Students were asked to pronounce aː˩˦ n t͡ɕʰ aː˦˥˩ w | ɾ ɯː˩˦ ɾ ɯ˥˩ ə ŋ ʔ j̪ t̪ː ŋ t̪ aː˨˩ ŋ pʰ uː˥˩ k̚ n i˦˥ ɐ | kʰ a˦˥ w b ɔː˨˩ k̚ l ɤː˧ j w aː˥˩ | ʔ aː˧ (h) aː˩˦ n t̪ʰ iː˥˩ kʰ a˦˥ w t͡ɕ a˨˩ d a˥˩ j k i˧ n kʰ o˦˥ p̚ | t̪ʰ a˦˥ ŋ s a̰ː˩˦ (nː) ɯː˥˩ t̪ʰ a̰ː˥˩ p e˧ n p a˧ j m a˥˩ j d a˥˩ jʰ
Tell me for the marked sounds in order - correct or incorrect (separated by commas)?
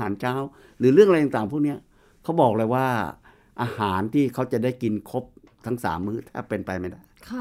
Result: correct, incorrect